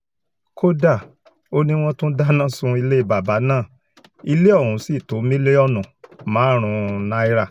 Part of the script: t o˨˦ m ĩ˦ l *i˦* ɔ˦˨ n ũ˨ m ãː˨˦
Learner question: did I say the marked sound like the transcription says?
no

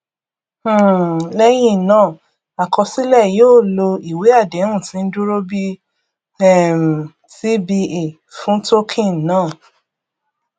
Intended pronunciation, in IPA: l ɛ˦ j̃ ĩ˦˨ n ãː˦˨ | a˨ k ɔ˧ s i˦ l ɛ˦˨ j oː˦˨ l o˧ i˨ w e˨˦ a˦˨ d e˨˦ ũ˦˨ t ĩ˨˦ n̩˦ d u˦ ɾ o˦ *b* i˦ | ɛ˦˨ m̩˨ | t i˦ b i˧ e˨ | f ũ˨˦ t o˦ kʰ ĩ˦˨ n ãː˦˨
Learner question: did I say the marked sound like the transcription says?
yes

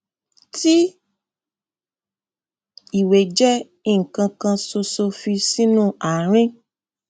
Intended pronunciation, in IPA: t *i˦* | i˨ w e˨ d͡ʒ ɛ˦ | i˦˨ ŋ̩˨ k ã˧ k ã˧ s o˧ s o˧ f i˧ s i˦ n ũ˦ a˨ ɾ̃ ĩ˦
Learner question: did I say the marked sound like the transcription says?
yes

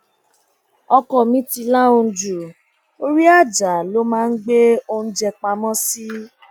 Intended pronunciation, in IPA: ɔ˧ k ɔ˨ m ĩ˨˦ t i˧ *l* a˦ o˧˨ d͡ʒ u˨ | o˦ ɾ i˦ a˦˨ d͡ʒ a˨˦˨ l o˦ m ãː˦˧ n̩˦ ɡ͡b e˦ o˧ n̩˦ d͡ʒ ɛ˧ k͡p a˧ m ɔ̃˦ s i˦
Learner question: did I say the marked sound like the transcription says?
yes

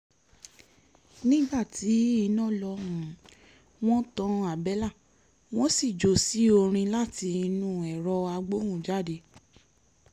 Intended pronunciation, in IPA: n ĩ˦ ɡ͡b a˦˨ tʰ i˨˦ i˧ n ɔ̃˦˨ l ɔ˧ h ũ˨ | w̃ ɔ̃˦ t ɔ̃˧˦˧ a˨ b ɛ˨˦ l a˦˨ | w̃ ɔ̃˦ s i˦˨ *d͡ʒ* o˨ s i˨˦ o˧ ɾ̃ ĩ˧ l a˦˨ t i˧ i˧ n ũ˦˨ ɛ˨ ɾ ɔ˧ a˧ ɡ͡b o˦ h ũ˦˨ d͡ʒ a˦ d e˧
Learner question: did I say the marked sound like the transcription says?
yes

